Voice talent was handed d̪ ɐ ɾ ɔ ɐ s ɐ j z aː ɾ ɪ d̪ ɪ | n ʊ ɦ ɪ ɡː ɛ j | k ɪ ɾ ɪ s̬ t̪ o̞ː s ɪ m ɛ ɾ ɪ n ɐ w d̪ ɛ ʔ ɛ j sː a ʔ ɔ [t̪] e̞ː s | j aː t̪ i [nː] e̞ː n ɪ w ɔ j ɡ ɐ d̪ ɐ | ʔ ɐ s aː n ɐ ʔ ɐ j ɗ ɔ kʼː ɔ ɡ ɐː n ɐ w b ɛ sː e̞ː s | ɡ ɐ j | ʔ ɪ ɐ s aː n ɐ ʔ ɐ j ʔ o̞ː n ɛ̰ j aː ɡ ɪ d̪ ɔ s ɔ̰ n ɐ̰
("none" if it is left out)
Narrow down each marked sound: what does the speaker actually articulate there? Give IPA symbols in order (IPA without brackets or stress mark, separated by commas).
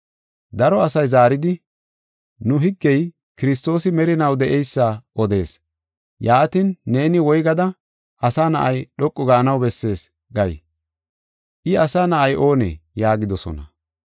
d̪, nː